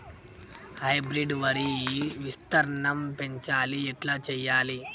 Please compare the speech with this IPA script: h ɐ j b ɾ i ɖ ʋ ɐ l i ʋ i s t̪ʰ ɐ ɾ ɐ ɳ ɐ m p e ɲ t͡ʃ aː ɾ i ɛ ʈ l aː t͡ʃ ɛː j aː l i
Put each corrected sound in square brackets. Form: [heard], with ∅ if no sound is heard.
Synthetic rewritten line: h ɐ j b ɾ i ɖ ʋ ɐ [ɾ] i ʋ i s [t̪] ɐ ɾ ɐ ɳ ɐ m p e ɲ t͡ʃ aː [l] i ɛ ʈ l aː t͡ʃ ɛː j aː l i